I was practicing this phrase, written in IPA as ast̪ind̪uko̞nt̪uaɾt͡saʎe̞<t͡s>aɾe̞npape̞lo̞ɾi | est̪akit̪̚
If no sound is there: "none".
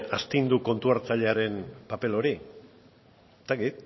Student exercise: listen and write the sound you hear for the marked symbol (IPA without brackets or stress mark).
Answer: none